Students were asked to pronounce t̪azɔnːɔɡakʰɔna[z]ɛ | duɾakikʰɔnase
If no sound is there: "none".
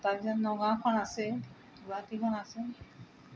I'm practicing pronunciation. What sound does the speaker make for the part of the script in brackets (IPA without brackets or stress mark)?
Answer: s